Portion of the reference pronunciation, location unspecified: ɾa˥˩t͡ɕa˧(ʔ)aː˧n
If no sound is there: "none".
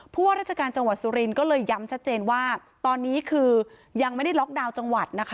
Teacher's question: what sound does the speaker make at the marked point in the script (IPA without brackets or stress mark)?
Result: k